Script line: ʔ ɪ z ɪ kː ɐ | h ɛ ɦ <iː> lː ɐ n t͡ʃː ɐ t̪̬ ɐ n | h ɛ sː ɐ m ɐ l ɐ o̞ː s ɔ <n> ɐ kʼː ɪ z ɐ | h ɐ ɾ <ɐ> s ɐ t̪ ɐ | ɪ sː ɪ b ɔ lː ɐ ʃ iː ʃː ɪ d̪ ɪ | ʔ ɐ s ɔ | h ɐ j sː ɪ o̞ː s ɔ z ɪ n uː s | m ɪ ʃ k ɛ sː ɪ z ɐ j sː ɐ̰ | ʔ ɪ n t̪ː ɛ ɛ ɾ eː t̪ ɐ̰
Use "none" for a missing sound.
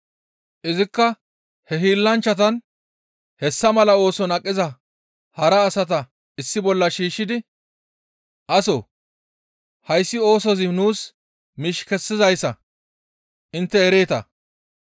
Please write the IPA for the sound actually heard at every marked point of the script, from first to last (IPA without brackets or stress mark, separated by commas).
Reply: iː, n, ɐː